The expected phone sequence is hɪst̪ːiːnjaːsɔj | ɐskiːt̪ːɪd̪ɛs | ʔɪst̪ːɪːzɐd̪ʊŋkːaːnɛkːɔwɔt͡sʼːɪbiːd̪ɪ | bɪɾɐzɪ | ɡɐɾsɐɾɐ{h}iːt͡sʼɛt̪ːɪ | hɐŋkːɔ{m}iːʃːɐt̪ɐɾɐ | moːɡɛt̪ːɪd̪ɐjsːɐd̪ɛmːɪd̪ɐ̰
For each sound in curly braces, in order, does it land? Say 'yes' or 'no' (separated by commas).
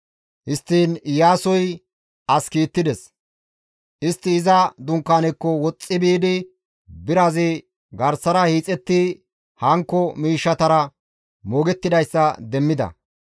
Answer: yes, yes